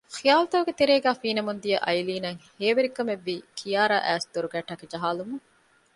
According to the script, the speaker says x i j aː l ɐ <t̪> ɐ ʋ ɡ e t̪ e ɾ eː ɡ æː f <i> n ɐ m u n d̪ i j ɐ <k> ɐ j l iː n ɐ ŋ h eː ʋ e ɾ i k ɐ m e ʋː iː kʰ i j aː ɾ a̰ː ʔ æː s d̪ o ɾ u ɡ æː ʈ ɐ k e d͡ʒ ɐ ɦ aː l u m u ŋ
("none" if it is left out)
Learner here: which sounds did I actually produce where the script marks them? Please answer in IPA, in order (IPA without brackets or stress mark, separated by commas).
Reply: t̪, iː, ʔ